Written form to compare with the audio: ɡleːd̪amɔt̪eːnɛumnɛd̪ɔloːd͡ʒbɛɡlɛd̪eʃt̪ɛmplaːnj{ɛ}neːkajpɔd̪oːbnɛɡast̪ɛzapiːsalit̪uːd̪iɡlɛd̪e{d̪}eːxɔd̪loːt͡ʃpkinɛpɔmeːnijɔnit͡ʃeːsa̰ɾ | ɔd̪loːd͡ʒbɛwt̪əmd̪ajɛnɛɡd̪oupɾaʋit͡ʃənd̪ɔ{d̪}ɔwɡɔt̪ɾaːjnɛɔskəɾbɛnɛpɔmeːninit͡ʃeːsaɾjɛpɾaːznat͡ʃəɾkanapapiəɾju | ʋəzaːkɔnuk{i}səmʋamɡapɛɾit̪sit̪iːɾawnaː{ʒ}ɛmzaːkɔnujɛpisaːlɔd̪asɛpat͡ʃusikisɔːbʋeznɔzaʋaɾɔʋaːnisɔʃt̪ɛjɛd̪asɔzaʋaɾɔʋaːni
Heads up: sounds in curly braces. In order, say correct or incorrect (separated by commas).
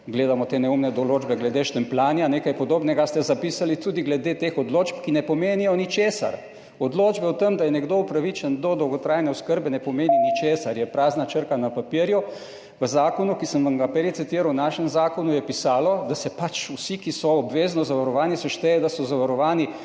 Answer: incorrect, incorrect, correct, correct, incorrect